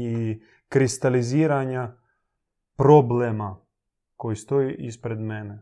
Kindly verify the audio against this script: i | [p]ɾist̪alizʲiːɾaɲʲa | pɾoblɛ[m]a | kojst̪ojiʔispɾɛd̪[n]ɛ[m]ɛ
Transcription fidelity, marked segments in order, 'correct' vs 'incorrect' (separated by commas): incorrect, correct, incorrect, incorrect